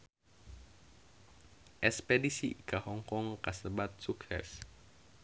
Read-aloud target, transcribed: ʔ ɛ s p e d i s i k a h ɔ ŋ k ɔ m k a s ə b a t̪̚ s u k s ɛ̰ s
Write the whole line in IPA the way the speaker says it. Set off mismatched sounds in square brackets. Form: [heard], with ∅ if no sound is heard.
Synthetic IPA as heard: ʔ ɛ s p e d i s i k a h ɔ ŋ k ɔ [ŋ] k a s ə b a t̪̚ s u k s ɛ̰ s